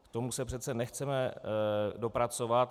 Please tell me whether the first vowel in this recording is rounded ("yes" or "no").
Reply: yes